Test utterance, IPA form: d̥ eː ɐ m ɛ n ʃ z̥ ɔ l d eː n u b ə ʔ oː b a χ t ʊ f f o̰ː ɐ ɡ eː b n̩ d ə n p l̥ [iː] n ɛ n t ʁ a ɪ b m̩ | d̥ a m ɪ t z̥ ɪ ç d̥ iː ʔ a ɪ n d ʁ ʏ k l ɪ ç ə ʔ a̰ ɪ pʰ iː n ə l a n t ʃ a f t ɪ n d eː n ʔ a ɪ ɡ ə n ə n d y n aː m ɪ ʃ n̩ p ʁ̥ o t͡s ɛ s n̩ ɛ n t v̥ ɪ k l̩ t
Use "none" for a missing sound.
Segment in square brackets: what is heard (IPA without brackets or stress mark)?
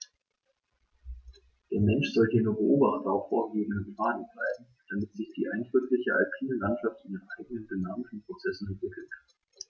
aː